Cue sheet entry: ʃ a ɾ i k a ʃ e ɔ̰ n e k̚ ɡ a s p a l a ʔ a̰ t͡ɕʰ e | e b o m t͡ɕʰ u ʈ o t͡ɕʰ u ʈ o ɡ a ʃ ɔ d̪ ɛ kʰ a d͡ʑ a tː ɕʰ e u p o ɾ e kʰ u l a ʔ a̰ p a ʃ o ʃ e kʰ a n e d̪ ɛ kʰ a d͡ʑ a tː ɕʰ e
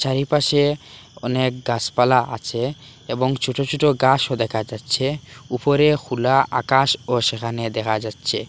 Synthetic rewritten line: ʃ a ɾ i p a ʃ e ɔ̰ n e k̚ ɡ a s p a l a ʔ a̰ t͡ɕʰ e | e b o ŋ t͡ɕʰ u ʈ o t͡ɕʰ u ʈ o ɡ a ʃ o d̪ ɛ kʰ a d͡ʑ a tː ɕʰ e u p o ɾ e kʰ u l a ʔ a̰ k a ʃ o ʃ e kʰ a n e d̪ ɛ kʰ a d͡ʑ a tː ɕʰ e